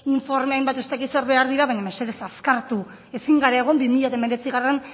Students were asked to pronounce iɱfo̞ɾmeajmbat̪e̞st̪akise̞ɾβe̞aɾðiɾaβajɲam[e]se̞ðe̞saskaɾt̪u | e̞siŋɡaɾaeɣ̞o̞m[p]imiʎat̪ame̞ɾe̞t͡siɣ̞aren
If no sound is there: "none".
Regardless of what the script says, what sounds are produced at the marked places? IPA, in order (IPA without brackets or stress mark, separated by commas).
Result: e, b